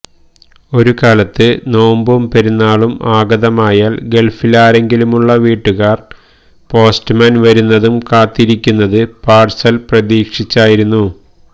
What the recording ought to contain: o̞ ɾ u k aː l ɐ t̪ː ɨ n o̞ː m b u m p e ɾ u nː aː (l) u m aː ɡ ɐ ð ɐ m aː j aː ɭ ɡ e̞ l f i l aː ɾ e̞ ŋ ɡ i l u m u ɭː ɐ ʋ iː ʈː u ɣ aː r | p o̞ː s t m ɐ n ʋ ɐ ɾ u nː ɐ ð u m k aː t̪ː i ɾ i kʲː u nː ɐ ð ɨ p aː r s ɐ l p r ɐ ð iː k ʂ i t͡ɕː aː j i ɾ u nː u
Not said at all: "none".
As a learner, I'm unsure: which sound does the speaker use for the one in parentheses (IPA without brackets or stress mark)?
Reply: ɭ